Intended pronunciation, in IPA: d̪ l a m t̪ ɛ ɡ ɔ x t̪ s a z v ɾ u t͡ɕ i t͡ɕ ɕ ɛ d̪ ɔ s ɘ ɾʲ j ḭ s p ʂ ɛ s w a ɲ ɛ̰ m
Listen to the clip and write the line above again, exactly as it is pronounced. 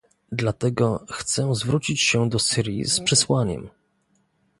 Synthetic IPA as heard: d̪ l a t̪ ɛ ɡ ɔ x t̪ s ɛ z v ɾ u t͡ɕ i t͡ɕ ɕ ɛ d̪ ɔ s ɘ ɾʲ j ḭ s p ʂ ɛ s w a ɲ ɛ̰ m